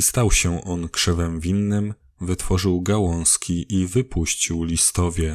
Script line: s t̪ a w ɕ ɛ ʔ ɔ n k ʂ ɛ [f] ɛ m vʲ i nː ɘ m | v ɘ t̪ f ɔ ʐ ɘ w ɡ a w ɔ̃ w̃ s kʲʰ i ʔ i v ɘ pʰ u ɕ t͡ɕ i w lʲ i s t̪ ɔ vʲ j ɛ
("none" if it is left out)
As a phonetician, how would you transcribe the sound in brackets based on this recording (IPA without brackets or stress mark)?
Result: v